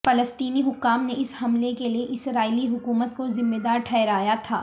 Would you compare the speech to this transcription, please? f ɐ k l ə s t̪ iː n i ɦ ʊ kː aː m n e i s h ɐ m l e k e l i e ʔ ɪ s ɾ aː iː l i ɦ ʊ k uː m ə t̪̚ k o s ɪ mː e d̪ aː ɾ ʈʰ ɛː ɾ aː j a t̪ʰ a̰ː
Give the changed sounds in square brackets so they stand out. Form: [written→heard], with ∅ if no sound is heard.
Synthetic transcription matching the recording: f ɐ [k→∅] l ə s t̪ iː n i ɦ ʊ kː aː m n e [i→ɪ] s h ɐ m l e k e l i e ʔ ɪ s ɾ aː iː l i ɦ ʊ k uː m ə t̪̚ k o [s→z] ɪ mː e d̪ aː ɾ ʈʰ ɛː ɾ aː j a t̪ʰ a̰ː